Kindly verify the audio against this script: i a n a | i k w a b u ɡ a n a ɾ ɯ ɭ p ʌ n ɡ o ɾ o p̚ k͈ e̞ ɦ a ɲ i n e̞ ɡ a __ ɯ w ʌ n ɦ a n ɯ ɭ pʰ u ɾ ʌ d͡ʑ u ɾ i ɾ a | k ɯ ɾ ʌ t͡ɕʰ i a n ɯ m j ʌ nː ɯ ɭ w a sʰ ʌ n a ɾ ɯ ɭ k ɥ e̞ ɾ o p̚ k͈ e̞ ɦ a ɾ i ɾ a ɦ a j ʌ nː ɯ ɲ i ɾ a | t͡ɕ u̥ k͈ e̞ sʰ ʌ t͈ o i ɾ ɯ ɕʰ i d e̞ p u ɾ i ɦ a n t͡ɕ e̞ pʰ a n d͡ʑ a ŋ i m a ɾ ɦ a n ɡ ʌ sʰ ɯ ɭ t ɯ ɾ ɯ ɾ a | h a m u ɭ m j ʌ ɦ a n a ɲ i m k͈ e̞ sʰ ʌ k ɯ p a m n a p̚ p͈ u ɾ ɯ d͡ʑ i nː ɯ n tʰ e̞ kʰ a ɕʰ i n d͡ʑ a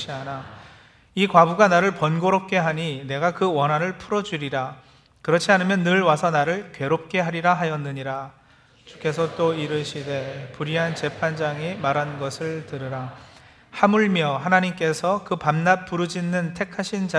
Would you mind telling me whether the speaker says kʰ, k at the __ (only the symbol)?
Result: k